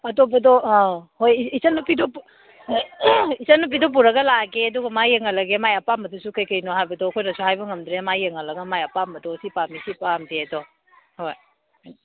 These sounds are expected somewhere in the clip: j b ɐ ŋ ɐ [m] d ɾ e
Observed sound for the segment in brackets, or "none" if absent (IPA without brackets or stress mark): m